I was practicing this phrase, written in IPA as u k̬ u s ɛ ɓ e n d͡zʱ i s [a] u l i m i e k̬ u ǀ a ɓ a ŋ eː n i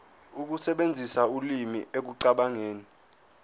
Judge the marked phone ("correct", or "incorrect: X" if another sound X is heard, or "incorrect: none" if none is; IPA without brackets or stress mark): correct